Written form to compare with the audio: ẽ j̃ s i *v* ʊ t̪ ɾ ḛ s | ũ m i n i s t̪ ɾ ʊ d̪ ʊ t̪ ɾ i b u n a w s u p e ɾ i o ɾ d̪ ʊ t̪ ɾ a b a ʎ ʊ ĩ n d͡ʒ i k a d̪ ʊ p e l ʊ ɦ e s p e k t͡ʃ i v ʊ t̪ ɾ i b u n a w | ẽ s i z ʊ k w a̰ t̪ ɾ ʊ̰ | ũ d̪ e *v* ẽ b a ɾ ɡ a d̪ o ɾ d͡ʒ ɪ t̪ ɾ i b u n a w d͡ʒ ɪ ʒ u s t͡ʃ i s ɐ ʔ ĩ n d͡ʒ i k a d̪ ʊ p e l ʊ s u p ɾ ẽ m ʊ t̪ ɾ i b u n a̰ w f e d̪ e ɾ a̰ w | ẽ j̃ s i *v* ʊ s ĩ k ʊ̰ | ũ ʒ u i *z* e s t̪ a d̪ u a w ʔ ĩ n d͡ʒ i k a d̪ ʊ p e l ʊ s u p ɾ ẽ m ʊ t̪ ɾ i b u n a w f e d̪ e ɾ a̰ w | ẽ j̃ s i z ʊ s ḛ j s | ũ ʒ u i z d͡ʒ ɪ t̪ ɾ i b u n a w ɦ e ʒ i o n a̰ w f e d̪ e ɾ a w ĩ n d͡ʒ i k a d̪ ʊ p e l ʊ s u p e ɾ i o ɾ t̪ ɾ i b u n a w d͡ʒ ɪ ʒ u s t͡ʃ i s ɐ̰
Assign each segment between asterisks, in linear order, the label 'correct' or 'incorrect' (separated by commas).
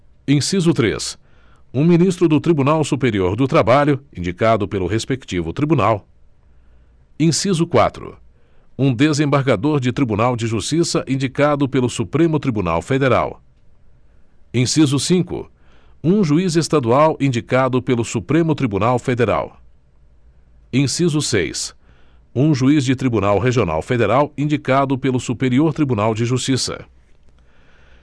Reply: incorrect, incorrect, incorrect, correct